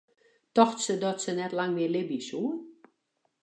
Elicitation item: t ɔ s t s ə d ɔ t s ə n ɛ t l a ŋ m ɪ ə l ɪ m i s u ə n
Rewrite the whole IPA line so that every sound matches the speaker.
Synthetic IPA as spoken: t ɔ x t s ə d ɔ t s ə n ɛ t l a ŋ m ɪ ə l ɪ b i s u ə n